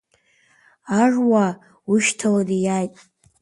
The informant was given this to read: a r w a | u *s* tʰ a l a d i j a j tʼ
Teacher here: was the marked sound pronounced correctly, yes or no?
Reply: no